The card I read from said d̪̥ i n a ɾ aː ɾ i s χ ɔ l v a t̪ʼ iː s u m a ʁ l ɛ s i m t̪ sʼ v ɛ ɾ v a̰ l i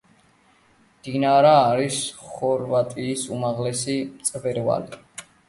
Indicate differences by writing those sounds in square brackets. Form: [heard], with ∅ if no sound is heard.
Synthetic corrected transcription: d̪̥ i n a ɾ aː ɾ i s χ ɔ [ɾ] v a t̪ʼ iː s u m a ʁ l ɛ s i m t̪ sʼ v ɛ ɾ v a̰ l i

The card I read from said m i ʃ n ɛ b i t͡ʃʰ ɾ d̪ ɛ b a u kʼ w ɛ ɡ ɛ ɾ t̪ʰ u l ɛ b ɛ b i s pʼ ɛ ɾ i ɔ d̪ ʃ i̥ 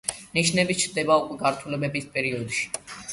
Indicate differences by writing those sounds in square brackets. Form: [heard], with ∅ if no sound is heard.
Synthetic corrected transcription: [n] i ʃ n ɛ b i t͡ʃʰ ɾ d̪ ɛ b a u kʼ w ɛ ɡ [a] ɾ t̪ʰ u l ɛ b ɛ b i s pʼ ɛ ɾ i ɔ d̪ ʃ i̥

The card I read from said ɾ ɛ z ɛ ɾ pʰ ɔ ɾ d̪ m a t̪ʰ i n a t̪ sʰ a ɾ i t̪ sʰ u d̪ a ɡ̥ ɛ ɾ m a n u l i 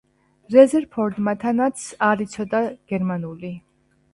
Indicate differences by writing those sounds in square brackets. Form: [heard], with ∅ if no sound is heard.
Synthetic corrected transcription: ɾ ɛ z ɛ ɾ pʰ ɔ ɾ d̪ m a t̪ʰ [a] n a t̪ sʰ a ɾ i t̪ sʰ [ɔ] d̪ a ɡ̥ ɛ ɾ m a n u l i

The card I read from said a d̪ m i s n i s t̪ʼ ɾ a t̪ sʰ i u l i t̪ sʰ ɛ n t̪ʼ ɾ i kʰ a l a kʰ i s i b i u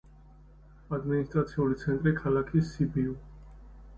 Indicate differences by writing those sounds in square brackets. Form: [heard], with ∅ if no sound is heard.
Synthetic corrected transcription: a d̪ m i [∅] n i s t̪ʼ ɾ a t̪ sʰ i u l i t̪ sʰ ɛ n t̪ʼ ɾ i kʰ a l a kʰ i s i b i u

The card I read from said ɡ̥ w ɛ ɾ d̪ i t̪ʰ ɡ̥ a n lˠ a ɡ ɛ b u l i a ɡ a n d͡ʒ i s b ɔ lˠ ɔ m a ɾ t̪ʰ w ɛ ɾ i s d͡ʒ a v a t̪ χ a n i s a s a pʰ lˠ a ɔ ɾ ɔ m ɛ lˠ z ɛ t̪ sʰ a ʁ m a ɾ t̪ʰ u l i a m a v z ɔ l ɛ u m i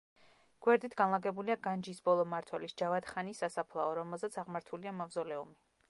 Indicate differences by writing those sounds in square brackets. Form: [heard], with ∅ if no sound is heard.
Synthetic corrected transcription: ɡ̥ w ɛ ɾ d̪ i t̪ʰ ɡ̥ a n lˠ a ɡ ɛ b u l i a ɡ a n d͡ʒ i s b ɔ lˠ ɔ m a ɾ t̪ʰ w ɛ [l] i s d͡ʒ a v a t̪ χ a n i s a s a pʰ lˠ a ɔ ɾ ɔ m ɛ lˠ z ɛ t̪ sʰ a ʁ m a ɾ t̪ʰ u l i a m a v z ɔ l ɛ u m i

